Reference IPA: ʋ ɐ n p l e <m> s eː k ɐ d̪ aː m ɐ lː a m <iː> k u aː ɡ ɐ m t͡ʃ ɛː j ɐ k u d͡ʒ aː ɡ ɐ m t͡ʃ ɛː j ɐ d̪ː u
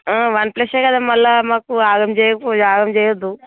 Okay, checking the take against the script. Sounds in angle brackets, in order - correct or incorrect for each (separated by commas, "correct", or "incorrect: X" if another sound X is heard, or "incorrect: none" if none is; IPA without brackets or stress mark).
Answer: incorrect: none, incorrect: aː